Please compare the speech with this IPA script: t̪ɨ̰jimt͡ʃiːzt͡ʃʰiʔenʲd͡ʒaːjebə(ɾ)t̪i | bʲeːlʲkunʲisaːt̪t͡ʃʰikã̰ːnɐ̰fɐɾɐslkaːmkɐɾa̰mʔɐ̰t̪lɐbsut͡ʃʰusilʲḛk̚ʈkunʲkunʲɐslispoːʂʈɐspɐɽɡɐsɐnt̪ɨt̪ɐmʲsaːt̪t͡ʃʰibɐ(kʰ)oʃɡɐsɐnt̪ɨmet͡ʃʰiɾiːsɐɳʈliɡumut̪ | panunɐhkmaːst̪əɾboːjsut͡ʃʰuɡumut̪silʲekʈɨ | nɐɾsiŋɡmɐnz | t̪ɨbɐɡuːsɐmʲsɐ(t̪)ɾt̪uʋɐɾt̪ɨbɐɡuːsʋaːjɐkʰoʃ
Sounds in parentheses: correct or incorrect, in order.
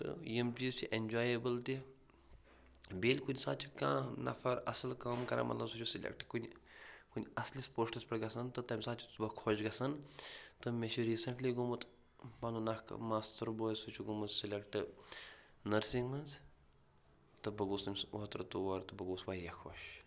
incorrect: l, correct, correct

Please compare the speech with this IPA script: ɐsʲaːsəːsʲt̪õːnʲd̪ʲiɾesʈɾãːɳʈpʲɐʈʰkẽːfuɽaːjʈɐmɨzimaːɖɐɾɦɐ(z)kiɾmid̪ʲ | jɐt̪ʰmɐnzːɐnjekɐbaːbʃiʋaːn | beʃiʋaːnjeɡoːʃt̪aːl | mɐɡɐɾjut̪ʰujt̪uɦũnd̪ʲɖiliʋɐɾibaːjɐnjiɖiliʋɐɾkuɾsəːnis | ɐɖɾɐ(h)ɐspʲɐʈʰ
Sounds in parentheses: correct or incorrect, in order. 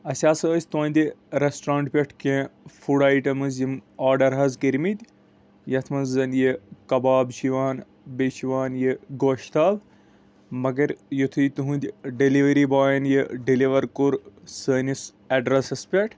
correct, incorrect: s

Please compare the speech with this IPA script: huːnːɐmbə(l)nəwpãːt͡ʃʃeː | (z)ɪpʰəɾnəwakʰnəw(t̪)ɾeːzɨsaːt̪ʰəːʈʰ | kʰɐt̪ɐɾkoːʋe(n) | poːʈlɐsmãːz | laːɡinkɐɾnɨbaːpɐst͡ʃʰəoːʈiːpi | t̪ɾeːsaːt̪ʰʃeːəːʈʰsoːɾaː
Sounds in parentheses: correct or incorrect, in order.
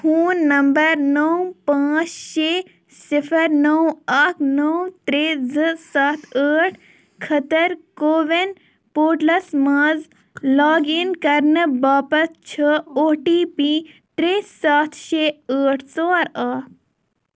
incorrect: ɾ, incorrect: s, correct, correct

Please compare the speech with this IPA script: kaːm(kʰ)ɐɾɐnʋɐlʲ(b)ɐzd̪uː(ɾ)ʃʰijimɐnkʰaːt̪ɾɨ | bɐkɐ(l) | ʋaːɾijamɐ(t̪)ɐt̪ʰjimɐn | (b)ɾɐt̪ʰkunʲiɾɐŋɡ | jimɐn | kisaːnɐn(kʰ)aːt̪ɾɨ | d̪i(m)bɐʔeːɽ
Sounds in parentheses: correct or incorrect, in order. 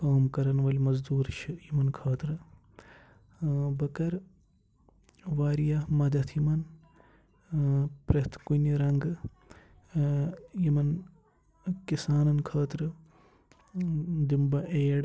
incorrect: k, incorrect: m, correct, incorrect: ɾ, incorrect: d̪, incorrect: p, correct, correct

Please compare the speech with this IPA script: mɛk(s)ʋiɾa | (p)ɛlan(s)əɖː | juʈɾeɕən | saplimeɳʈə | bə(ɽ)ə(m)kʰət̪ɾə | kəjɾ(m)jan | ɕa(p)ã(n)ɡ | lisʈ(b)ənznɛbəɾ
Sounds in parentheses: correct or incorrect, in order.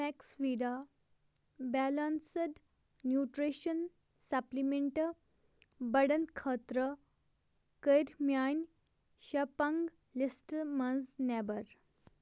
correct, incorrect: b, correct, correct, incorrect: n, correct, correct, incorrect: ŋ, incorrect: m

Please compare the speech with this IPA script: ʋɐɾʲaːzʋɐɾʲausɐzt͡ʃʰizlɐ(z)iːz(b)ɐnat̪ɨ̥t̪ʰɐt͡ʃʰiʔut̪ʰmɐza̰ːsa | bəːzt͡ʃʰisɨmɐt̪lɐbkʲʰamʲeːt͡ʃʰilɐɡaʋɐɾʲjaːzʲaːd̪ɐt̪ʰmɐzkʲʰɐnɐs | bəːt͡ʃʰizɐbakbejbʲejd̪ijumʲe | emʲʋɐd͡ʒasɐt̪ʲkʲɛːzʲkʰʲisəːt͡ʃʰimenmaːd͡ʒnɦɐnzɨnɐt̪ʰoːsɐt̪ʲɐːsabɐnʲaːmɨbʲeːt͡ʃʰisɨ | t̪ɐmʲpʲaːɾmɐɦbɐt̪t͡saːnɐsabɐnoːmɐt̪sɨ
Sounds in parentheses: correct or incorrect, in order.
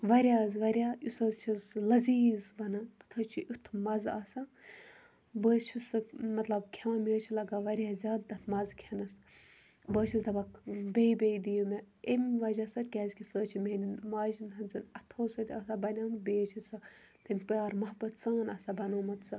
correct, correct

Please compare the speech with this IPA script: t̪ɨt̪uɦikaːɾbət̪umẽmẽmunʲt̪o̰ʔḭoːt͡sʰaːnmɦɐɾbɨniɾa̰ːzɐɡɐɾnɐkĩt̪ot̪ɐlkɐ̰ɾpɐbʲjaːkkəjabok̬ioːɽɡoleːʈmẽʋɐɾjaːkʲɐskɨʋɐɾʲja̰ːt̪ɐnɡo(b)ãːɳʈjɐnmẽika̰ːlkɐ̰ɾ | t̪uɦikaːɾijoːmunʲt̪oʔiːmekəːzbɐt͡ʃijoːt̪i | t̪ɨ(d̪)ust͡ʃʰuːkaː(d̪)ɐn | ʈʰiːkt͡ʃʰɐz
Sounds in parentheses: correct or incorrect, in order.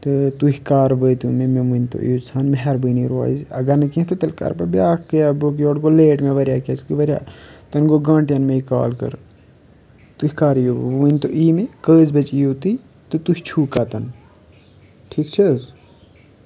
incorrect: ɡ, incorrect: t̪, incorrect: t̪

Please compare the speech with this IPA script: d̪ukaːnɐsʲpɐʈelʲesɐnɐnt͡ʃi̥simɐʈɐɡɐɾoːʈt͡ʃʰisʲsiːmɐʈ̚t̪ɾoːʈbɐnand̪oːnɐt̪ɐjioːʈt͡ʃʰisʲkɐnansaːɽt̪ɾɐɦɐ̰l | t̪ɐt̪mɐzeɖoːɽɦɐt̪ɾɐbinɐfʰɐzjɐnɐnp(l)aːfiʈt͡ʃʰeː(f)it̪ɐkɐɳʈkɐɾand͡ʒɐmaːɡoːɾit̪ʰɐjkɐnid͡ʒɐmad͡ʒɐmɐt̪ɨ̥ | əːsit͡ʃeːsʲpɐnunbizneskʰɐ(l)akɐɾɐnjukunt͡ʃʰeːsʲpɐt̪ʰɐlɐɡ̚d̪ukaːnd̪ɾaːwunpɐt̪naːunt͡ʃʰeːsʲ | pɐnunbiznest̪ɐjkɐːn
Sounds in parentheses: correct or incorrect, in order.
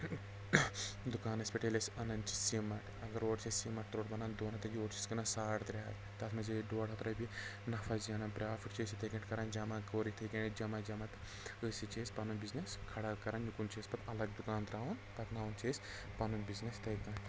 incorrect: ɾ, incorrect: s, incorrect: ɽ

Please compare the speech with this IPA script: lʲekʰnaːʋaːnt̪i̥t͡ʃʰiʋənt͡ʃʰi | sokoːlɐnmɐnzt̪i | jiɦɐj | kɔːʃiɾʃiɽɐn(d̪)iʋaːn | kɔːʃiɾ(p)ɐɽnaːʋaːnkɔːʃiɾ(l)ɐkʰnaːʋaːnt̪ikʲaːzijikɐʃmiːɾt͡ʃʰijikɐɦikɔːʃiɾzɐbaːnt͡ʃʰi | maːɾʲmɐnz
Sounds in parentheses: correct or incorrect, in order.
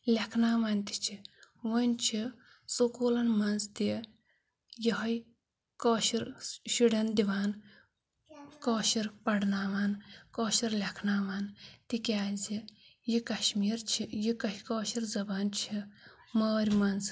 correct, correct, correct

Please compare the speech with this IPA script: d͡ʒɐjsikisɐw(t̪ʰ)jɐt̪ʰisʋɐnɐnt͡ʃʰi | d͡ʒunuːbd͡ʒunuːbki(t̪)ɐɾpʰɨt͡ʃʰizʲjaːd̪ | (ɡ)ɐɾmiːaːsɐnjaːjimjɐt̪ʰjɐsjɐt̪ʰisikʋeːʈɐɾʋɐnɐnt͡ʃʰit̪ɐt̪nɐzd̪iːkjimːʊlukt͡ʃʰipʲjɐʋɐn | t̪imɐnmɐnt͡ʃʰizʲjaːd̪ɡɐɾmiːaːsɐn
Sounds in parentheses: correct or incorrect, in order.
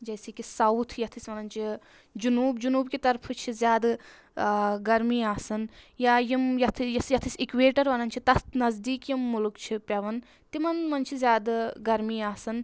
correct, correct, correct

